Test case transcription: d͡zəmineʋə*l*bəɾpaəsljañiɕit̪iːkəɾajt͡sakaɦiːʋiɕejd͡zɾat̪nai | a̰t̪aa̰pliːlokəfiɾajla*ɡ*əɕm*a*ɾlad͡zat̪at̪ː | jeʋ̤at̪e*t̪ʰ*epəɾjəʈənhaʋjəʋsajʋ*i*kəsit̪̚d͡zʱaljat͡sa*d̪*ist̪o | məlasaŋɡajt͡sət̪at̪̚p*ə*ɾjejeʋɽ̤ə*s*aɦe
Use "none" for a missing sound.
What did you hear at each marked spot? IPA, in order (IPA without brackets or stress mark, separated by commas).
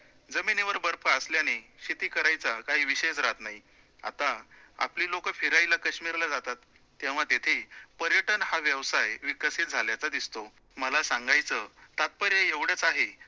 ɾ, k, i, t̪ʰ, i, d̪, ə, t͡s